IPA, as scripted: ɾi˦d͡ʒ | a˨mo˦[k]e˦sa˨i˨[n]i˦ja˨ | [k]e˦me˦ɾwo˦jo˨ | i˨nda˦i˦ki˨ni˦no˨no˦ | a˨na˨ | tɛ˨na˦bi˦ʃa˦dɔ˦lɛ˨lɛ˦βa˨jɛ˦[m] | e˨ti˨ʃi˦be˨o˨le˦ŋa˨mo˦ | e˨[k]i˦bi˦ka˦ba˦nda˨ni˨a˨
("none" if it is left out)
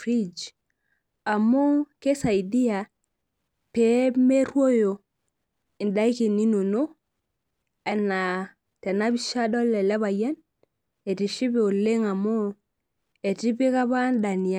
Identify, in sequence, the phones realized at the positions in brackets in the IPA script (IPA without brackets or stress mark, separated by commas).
k, d, p, n, t